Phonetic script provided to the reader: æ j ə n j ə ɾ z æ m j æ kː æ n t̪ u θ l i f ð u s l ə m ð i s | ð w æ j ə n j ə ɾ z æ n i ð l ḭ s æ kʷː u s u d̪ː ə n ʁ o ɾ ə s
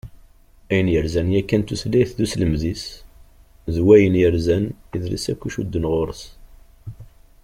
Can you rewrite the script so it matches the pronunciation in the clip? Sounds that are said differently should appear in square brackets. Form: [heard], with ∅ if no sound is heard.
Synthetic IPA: æ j ə n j ə ɾ z æ [n] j æ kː æ n t̪ u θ l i [θ] ð u s l ə m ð i s | ð w æ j ə n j ə ɾ z æ n i ð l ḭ s æ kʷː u [ʃ] u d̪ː ə n ʁ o ɾ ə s